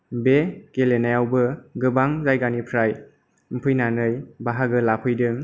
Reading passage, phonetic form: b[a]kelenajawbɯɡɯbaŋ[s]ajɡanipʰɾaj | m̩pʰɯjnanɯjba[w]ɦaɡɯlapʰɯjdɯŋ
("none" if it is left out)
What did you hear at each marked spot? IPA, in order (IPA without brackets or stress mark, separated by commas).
e, z, none